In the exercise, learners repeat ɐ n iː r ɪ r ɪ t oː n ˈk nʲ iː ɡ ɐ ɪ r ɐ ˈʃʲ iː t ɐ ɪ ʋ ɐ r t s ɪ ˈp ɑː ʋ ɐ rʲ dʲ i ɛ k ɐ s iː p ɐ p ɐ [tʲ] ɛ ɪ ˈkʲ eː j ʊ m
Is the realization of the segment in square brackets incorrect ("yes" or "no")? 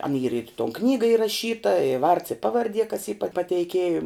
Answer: no